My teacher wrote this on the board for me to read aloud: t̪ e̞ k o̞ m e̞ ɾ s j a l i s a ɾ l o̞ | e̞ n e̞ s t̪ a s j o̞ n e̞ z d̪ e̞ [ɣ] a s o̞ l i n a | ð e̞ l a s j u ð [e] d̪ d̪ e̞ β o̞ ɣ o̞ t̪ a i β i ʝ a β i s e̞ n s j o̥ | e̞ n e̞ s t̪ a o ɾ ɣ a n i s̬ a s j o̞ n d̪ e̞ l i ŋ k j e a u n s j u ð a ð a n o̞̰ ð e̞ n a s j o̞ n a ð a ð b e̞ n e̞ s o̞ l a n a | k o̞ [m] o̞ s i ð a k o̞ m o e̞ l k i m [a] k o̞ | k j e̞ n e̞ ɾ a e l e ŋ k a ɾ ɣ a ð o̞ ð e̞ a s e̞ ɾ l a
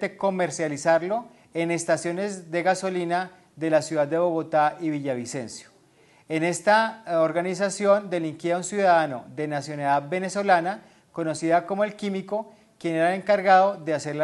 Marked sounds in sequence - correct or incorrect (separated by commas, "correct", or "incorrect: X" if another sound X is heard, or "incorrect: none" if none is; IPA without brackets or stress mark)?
correct, incorrect: a, incorrect: n, incorrect: i